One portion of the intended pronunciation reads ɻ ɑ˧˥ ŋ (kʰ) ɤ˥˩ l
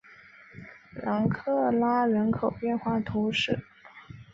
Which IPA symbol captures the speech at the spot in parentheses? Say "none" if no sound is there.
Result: kʰ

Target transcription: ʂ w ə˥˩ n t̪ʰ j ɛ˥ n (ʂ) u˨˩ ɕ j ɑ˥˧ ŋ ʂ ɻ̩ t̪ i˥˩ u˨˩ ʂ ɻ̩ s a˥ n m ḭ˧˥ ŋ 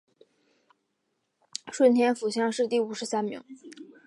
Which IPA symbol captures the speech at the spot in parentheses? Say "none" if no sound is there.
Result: f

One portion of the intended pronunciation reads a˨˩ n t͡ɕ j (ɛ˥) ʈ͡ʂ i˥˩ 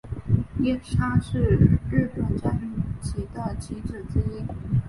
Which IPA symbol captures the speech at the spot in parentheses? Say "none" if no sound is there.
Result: a˥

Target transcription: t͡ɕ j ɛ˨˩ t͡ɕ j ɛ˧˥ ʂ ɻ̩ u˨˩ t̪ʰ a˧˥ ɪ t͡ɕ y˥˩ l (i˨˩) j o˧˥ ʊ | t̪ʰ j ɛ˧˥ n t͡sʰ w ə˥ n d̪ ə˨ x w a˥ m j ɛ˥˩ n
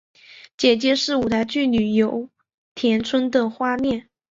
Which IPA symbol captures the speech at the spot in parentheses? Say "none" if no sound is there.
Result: y˨˩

